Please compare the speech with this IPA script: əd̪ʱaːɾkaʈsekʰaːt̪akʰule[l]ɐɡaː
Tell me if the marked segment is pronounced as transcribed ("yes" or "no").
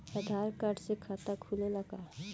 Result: yes